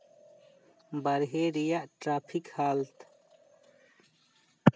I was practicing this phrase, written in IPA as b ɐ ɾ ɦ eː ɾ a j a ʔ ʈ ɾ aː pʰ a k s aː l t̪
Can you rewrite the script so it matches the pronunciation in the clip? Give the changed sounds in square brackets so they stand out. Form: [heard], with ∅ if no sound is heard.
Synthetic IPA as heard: b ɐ ɾ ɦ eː ɾ [i] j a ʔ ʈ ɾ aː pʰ [i] k [h] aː l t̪